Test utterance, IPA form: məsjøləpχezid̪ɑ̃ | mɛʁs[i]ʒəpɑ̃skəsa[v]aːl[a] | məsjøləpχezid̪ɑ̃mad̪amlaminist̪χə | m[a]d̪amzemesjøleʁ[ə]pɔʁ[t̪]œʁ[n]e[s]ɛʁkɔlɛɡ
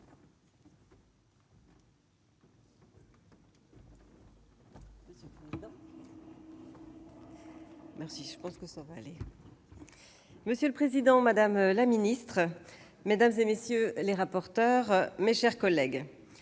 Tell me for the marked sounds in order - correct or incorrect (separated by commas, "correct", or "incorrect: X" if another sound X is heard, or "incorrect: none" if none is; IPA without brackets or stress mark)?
correct, correct, incorrect: e, incorrect: e, incorrect: a, correct, incorrect: m, incorrect: ʃ